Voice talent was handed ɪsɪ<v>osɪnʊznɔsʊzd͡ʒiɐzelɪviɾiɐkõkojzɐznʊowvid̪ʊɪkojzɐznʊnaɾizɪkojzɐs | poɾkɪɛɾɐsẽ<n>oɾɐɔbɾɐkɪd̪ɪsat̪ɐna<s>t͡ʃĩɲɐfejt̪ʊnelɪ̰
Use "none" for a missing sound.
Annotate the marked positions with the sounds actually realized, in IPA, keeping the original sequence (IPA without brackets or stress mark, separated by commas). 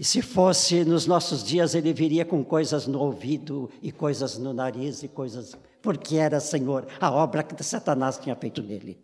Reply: f, ɲ, s